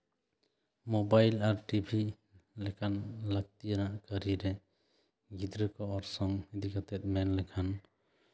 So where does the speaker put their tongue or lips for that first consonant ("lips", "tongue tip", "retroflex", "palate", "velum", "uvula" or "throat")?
lips